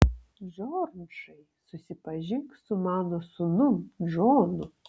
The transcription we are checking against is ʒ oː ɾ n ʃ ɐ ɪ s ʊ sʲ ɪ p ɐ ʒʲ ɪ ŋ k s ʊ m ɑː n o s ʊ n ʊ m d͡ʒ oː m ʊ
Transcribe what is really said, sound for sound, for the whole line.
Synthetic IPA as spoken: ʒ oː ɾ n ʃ ɐ ɪ s ʊ sʲ ɪ p ɐ ʒʲ ɪ ŋ k s ʊ m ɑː n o s ʊ n ʊ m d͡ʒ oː n ʊ